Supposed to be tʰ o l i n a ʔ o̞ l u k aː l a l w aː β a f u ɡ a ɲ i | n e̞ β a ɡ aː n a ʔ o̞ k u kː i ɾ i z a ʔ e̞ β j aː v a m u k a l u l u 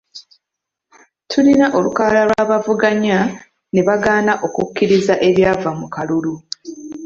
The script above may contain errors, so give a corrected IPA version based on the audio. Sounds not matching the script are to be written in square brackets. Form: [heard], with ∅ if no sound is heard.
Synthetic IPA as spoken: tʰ [u] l i n a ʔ o̞ l u k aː l a l w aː β a [v] u ɡ a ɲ [a] | n e̞ β a ɡ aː n a ʔ o̞ k u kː i ɾ i z a ʔ e̞ β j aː v a m u k a l u l u